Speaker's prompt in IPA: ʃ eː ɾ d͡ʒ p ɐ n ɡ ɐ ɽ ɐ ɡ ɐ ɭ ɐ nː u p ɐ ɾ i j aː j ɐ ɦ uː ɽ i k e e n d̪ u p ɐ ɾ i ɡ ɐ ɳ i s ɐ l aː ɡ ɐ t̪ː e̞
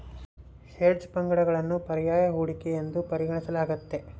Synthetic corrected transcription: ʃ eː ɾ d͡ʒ p ɐ ŋ ɡ ɐ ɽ ɐ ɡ ɐ ɭ ɐ nː u p ɐ ɾ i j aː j ɐ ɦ uː ɽ i k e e n d̪ u p ɐ ɾ i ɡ ɐ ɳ i s ɐ l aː ɡ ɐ t̪ː e̞